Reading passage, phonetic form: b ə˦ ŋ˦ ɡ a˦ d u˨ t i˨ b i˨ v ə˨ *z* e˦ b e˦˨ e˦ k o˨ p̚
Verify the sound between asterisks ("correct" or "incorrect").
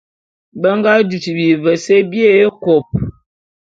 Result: incorrect